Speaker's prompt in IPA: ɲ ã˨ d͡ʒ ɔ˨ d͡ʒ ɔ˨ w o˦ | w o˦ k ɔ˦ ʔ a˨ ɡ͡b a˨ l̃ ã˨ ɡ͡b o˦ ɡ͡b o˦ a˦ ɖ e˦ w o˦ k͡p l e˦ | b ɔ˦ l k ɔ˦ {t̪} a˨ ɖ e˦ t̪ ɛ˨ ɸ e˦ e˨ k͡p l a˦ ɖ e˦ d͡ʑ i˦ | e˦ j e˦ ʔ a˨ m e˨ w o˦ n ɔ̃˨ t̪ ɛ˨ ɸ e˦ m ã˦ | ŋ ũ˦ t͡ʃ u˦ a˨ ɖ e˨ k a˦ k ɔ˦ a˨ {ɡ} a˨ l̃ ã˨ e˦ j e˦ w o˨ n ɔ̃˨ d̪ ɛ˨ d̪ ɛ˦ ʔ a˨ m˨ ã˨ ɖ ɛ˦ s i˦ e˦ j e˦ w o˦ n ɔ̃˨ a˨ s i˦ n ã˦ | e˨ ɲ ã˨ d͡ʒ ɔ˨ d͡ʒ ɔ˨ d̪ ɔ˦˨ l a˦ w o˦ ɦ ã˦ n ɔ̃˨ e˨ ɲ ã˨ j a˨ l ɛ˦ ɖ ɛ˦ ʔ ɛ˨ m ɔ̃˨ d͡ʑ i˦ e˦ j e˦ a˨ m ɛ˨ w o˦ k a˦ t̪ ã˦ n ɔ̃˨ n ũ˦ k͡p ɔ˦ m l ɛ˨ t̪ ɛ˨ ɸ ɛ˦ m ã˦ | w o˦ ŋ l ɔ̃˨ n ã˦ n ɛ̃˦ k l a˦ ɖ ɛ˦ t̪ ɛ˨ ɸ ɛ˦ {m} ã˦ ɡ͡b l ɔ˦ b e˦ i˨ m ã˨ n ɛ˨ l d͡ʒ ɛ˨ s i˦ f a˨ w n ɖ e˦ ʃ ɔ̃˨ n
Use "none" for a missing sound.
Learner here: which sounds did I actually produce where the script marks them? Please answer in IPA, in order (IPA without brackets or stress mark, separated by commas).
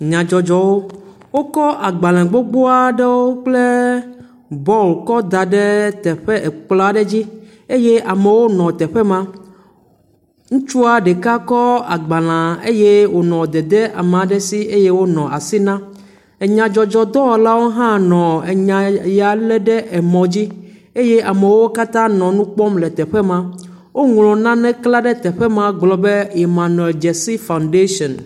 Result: d̪, ɡ͡b, m